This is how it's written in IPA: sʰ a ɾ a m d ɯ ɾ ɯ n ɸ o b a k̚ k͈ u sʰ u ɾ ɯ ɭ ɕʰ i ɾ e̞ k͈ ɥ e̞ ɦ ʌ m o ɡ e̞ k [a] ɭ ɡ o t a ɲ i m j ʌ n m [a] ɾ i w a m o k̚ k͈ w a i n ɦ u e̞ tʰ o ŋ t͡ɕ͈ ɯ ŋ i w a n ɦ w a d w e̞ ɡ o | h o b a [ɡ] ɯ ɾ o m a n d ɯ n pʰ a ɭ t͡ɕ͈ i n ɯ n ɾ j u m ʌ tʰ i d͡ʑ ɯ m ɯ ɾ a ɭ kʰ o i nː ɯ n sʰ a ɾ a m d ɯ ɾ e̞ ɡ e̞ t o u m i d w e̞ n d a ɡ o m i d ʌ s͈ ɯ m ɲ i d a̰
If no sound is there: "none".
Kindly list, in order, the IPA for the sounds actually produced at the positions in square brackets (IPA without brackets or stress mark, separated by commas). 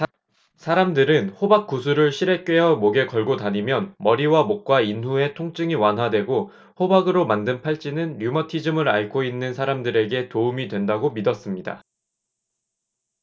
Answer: ʌ, ʌ, ɡ